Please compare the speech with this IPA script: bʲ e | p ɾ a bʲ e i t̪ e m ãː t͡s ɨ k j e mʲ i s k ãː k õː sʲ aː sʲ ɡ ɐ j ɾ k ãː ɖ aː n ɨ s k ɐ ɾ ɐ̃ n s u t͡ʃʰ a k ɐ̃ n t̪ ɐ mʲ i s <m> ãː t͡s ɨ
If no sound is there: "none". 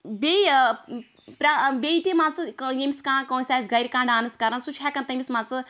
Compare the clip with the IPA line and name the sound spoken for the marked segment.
m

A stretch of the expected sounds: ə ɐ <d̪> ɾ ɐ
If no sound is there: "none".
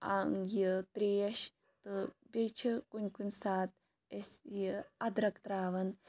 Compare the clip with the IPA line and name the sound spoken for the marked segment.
d̪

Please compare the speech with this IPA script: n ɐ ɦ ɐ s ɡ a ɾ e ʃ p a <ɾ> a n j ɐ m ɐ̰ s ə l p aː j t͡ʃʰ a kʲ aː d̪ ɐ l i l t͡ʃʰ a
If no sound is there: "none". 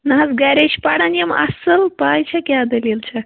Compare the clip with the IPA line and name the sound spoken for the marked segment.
ɽ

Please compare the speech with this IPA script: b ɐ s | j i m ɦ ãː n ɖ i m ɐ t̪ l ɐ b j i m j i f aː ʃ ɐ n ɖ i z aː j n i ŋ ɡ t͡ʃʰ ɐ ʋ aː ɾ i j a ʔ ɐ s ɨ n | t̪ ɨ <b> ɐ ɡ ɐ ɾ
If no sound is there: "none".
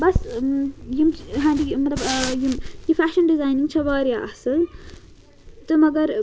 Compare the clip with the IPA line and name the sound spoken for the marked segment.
m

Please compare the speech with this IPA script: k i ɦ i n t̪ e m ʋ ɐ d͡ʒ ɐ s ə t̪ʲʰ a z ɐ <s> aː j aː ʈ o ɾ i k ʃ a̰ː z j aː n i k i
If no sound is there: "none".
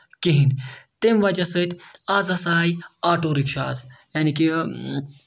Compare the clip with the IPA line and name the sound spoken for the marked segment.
s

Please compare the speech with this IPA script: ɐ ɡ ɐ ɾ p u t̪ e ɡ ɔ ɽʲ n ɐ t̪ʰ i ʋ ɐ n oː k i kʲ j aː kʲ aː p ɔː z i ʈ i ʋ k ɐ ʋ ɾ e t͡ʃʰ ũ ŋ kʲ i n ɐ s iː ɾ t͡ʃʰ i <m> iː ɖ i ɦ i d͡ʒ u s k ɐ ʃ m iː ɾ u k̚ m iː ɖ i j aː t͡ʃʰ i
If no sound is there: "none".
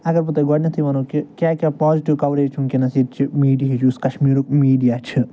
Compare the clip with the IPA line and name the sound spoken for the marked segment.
m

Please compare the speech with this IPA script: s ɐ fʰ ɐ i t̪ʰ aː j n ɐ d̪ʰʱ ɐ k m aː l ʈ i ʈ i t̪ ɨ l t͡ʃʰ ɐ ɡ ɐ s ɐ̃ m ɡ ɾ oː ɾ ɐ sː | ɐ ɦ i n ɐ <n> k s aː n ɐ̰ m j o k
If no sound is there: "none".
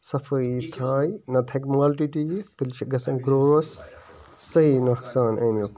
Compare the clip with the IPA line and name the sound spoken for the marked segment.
none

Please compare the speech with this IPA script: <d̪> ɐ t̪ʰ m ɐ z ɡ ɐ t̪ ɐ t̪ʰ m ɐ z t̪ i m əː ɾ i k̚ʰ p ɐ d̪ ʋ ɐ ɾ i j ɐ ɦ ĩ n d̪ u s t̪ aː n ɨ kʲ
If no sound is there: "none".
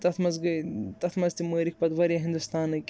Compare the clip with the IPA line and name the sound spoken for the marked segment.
t̪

